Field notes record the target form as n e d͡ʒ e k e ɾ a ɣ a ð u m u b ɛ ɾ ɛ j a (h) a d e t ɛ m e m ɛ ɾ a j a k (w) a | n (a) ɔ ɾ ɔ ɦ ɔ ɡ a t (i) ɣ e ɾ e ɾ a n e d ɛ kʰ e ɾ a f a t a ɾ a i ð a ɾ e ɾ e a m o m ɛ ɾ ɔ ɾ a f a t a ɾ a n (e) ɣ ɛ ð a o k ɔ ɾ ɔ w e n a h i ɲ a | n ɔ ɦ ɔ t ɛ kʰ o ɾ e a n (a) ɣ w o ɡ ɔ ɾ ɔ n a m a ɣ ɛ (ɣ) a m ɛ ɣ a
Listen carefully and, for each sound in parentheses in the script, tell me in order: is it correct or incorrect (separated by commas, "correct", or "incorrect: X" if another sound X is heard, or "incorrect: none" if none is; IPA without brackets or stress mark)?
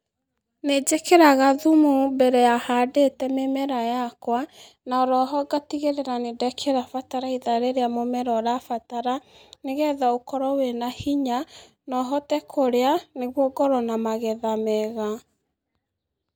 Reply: correct, correct, correct, correct, correct, incorrect: e, incorrect: ð